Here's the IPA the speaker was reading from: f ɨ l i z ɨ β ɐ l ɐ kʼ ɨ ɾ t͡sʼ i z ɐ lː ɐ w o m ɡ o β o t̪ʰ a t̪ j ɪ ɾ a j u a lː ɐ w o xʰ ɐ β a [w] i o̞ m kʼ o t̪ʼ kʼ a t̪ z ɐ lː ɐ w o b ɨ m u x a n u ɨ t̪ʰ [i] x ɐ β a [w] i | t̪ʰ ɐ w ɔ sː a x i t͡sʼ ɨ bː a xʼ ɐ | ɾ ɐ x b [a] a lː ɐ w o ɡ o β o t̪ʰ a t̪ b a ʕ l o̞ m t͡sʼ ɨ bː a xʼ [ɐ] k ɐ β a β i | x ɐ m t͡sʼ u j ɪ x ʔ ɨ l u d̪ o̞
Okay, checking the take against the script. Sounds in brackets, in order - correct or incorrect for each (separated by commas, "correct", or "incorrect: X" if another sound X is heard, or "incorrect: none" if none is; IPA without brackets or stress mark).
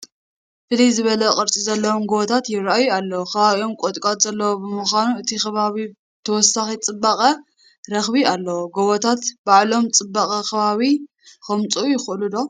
incorrect: β, correct, incorrect: β, incorrect: i, correct